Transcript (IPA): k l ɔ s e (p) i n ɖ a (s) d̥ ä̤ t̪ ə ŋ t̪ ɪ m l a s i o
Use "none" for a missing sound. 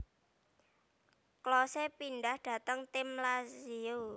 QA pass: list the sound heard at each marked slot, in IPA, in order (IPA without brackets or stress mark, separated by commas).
p, h